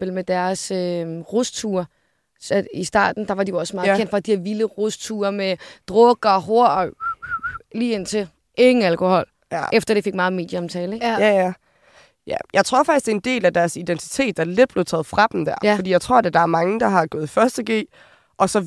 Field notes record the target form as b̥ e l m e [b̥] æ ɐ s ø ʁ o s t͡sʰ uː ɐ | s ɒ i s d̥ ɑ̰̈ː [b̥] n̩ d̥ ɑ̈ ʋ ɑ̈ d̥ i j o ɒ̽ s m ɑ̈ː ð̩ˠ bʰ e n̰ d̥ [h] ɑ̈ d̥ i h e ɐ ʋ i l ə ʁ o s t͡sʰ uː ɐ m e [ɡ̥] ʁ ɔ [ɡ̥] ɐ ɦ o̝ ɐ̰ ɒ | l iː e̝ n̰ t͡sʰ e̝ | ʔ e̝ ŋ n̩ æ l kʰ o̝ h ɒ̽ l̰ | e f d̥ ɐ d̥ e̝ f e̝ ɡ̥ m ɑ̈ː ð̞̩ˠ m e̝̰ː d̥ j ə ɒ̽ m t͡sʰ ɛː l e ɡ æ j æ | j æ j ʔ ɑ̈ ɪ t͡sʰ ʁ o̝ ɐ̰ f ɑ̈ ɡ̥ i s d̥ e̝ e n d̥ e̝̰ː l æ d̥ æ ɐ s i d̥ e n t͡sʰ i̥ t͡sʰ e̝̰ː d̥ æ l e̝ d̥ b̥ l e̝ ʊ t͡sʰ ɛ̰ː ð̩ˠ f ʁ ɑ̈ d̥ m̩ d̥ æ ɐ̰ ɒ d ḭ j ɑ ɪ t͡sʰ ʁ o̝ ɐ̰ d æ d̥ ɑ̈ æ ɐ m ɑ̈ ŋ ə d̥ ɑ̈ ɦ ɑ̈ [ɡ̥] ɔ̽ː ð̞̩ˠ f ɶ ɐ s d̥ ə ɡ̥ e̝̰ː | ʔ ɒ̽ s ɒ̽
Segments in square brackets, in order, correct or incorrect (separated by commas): incorrect, incorrect, incorrect, incorrect, correct, correct